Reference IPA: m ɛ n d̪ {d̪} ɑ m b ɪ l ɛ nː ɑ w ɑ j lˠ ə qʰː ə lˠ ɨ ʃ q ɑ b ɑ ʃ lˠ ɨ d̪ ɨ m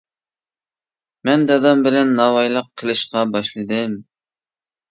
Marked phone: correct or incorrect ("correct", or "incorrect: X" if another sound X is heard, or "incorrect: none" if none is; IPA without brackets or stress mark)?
correct